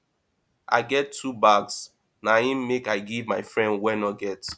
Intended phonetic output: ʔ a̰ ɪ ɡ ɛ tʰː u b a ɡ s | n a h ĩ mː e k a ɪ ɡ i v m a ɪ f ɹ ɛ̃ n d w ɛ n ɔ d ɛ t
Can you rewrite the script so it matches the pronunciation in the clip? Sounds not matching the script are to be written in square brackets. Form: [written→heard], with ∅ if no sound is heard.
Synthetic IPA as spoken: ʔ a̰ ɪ ɡ ɛ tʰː u b a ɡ s | n a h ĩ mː e k a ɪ ɡ i v m a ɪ f ɹ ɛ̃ n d w ɛ n ɔ [d→ɡ] ɛ t

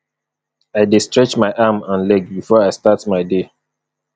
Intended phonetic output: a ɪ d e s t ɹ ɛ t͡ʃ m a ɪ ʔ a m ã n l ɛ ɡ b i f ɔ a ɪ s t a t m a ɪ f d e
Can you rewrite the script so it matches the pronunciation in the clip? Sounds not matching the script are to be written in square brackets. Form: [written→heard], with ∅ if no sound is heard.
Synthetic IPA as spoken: a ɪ d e s t ɹ ɛ t͡ʃ m a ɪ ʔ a m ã n l ɛ ɡ b i f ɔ a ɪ s t a t m a ɪ [f→∅] d e

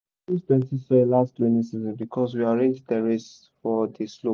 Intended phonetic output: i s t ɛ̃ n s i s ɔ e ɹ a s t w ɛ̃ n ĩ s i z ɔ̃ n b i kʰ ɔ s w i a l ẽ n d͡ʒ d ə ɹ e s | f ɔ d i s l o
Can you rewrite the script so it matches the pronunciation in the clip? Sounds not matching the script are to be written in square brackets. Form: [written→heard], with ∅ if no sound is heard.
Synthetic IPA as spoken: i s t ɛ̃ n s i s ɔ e [ɹ→l] a s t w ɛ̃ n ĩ s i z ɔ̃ n b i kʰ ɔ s w i a [l→ɹ] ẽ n d͡ʒ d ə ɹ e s | f ɔ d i s l o

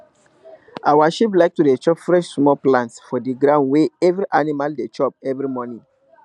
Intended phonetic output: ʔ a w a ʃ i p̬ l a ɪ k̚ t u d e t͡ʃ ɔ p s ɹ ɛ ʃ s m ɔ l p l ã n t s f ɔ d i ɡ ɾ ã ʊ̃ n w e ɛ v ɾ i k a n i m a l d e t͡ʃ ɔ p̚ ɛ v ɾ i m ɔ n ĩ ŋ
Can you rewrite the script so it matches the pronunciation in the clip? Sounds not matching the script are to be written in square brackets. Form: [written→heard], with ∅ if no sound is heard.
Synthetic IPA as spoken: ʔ a w a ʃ i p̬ l a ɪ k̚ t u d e t͡ʃ ɔ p [s→f] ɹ ɛ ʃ s m ɔ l p l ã n t s f ɔ d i ɡ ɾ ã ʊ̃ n w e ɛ v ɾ i [k→ʔ] a n i m a l d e t͡ʃ ɔ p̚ ɛ v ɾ i m ɔ n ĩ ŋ

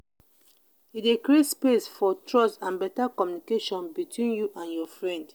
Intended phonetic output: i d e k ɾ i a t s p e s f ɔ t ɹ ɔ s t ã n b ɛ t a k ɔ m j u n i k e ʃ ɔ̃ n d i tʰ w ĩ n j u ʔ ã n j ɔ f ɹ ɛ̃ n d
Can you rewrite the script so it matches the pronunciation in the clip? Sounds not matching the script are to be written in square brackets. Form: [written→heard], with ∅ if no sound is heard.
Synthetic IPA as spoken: i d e k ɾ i [a→e] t s p e s f ɔ t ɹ ɔ s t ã n b ɛ t a k ɔ m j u n i k e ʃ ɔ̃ n [d→b] i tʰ w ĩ n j u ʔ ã n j ɔ f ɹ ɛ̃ n d

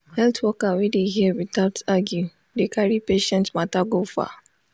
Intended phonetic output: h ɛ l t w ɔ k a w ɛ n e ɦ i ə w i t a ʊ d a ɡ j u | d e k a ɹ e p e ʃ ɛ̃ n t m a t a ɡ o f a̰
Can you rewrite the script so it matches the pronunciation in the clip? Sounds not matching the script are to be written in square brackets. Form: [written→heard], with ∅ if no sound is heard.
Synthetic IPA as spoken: h ɛ l t w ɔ k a w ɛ [n→d] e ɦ i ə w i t a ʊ [d→t] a ɡ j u | d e k a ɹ [e→i] p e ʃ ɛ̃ n t m a t a ɡ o f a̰

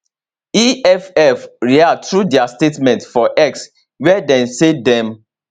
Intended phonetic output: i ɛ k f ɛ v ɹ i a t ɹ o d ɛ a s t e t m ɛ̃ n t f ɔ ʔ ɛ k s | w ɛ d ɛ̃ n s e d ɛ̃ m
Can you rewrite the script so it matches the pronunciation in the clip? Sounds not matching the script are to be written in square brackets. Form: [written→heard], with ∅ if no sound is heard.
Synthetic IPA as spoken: i ɛ [k→∅] f ɛ [v→f] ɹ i a t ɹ [o→u] d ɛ a s t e t m ɛ̃ n t f ɔ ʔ ɛ k s | w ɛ d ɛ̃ n s e d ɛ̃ m

